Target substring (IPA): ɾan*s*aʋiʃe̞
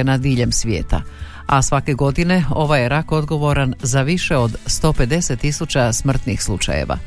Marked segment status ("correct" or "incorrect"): incorrect